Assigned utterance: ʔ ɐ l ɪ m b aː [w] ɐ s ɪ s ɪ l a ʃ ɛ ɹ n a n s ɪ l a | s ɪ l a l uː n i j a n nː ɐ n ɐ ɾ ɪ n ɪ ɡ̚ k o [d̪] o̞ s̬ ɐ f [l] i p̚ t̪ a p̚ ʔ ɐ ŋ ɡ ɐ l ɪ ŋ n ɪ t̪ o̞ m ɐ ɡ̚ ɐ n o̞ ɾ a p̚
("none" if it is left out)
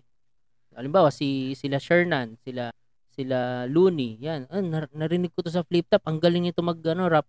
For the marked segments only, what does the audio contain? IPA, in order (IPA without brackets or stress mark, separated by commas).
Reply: w, t̪, l